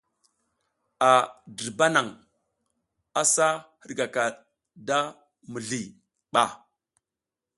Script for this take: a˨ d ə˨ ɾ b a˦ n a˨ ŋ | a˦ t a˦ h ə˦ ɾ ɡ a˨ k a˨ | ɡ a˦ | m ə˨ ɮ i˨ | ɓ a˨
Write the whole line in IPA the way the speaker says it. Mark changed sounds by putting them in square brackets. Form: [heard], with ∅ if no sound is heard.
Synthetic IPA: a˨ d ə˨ ɾ b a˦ n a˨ ŋ | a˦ [s] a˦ h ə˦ ɾ ɡ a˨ k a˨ | [d] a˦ | m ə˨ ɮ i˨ | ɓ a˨